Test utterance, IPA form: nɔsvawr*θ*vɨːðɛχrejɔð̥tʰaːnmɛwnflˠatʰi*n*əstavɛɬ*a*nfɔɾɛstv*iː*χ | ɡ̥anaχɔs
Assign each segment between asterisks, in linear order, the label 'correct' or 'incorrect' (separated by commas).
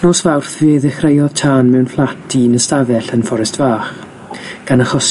correct, correct, incorrect, incorrect